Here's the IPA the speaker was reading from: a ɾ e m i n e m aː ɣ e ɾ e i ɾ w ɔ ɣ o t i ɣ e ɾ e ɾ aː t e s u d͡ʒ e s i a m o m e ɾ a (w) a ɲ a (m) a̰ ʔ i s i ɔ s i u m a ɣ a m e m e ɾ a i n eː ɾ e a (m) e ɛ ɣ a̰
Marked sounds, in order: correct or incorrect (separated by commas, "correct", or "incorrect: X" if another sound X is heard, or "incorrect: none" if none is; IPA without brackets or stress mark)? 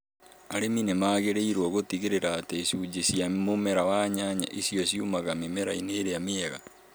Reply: correct, incorrect: ɲ, correct